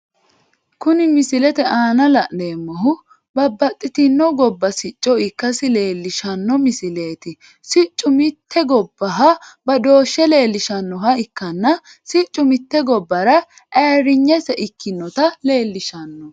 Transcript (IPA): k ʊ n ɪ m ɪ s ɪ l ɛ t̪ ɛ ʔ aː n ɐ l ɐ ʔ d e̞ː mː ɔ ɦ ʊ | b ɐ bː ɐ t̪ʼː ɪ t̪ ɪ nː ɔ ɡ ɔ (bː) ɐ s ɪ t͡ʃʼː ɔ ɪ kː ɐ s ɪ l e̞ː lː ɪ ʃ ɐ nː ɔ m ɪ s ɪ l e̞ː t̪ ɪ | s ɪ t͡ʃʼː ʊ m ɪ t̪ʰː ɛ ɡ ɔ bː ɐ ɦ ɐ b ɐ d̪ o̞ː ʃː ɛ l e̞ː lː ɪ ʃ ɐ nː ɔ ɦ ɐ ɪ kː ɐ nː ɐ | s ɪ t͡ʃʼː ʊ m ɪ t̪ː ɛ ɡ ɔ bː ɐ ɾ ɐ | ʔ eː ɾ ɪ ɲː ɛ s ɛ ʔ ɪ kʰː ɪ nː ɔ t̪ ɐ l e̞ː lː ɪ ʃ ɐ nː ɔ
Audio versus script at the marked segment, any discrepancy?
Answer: no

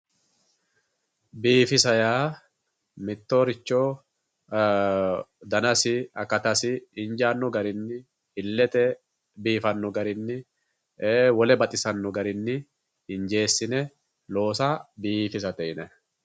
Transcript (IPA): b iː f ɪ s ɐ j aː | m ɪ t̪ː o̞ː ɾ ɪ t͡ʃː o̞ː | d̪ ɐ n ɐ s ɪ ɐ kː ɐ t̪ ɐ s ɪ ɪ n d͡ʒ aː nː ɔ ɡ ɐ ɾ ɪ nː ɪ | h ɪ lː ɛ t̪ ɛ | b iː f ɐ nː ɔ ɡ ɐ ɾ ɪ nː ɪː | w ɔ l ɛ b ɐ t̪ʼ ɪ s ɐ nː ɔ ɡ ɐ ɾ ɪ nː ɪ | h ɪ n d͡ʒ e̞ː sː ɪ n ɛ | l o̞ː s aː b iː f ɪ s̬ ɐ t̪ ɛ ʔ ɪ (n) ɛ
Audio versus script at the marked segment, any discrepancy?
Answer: no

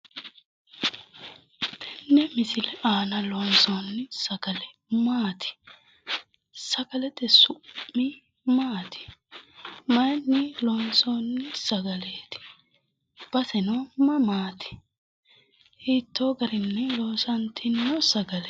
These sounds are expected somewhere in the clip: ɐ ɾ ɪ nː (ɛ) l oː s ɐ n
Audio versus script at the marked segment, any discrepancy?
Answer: no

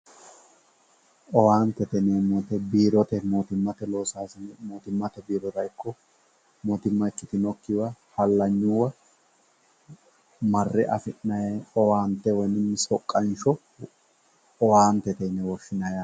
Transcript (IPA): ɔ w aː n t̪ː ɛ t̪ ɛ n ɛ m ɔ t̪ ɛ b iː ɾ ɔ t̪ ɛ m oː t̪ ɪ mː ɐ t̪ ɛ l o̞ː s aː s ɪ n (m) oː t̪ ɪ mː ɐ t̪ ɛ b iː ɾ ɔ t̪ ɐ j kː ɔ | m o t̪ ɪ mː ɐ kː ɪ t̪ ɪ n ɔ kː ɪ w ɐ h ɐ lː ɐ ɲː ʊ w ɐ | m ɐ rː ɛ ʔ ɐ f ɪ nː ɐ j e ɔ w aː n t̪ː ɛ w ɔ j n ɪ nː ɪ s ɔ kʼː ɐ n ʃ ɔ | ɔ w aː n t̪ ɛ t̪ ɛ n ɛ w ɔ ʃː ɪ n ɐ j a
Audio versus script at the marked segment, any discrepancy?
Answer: no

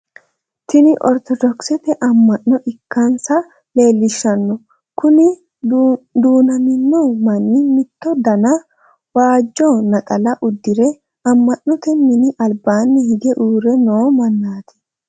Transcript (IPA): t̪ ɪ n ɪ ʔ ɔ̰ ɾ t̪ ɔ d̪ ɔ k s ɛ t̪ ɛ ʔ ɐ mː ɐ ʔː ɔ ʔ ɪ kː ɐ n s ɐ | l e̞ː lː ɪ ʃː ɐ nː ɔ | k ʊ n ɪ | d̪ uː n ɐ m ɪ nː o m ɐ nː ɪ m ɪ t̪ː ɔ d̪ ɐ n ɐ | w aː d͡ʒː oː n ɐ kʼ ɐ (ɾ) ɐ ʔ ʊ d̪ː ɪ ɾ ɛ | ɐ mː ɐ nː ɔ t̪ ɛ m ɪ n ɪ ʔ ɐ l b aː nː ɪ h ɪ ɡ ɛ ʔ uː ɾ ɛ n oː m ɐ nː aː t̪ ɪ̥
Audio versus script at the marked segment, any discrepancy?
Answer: yes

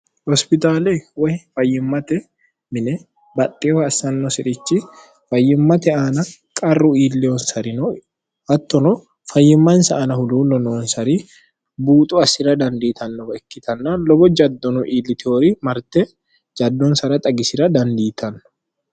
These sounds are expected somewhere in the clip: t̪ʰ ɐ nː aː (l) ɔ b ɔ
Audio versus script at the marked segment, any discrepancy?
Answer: no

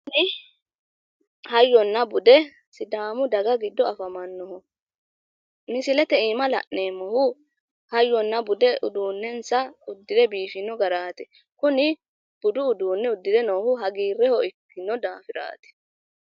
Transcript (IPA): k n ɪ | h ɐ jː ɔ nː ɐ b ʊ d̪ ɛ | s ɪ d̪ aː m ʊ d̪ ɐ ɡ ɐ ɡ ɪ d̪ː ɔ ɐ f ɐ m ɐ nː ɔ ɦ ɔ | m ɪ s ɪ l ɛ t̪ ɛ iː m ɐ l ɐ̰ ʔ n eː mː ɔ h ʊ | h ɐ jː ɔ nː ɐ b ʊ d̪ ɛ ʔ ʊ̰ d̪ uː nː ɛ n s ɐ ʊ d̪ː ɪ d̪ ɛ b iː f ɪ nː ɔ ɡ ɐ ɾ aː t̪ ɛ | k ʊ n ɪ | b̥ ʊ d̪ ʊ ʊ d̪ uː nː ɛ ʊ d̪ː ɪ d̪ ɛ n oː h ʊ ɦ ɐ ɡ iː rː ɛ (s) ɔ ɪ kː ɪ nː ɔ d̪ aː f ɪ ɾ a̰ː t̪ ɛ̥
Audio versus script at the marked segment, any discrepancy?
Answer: yes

